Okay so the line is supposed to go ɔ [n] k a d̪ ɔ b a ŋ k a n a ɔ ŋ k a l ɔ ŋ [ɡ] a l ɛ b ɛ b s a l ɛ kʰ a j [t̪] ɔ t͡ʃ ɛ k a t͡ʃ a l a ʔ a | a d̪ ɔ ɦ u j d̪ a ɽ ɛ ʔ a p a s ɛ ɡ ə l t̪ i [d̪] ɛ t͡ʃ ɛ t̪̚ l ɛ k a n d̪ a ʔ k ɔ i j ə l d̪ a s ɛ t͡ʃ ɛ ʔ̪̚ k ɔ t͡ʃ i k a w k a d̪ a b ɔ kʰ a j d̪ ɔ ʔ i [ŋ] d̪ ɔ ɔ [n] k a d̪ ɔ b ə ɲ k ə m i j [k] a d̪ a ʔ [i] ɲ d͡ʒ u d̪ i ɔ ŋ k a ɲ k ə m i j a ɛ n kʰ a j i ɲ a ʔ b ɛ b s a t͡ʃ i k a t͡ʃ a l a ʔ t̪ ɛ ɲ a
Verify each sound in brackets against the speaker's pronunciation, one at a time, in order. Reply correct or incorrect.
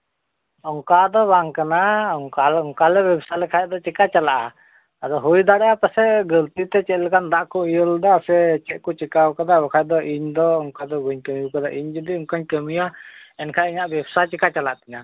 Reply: incorrect, incorrect, incorrect, incorrect, incorrect, incorrect, correct, correct

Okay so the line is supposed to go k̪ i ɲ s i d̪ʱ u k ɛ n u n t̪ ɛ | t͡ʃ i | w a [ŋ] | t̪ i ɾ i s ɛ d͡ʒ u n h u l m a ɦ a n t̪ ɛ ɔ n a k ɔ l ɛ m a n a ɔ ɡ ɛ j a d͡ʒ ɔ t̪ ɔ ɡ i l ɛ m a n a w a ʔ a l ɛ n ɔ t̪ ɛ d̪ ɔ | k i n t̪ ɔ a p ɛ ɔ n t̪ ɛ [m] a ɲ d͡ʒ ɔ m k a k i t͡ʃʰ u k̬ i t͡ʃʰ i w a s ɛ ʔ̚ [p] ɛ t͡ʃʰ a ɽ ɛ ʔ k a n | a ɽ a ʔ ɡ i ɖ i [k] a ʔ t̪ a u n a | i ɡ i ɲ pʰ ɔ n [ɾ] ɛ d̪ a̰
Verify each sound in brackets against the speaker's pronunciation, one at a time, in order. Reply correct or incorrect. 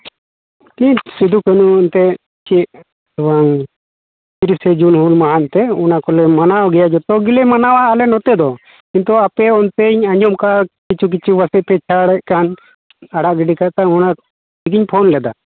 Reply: correct, incorrect, correct, correct, incorrect

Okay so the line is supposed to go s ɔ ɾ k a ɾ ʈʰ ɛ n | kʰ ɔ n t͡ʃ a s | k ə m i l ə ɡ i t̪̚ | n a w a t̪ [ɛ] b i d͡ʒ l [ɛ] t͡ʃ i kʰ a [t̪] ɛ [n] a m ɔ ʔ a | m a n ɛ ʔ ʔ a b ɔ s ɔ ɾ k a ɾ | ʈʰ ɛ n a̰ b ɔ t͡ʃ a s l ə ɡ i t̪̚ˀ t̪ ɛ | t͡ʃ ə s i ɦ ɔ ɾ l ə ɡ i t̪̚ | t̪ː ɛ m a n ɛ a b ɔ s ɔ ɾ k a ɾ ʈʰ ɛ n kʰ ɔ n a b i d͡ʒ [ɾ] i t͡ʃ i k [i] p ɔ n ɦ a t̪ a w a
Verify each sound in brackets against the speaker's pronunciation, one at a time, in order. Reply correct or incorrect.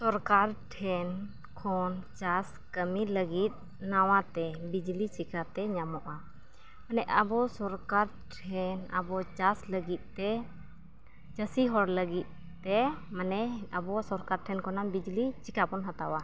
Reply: correct, incorrect, correct, incorrect, incorrect, incorrect

